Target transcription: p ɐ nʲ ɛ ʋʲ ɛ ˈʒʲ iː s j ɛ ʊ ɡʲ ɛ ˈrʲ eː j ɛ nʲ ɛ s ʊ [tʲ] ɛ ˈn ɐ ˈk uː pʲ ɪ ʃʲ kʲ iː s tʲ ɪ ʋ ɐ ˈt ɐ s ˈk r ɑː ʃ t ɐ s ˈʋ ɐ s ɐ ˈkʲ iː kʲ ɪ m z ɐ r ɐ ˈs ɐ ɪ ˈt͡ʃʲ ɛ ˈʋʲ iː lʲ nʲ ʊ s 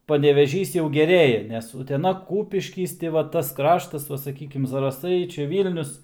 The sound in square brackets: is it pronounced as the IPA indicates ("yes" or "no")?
yes